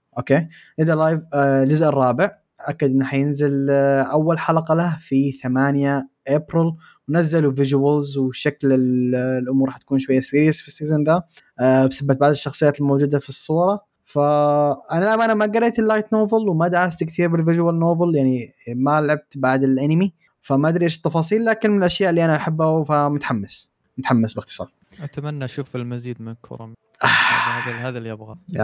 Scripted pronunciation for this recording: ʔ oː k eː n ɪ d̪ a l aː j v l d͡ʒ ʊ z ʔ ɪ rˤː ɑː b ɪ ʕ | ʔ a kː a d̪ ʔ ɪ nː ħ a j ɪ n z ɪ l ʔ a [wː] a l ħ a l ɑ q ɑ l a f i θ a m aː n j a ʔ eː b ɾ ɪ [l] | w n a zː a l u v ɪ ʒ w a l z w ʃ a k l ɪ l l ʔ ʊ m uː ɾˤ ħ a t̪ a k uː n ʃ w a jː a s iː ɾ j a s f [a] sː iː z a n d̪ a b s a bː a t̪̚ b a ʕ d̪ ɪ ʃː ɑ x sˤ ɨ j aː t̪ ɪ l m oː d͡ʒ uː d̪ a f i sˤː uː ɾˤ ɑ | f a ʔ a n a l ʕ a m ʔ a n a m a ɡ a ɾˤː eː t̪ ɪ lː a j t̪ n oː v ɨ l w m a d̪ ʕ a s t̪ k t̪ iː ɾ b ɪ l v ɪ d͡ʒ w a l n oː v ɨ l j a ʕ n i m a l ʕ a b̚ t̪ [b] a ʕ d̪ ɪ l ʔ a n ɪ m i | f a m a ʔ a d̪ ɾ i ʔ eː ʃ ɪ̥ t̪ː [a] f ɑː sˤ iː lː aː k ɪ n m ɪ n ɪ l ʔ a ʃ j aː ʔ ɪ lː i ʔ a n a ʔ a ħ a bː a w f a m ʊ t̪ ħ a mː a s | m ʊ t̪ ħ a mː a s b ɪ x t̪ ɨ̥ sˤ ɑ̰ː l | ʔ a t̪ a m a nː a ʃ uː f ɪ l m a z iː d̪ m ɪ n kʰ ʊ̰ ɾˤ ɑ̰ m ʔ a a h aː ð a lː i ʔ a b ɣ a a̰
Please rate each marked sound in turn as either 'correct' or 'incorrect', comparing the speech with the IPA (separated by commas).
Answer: correct, correct, incorrect, correct, incorrect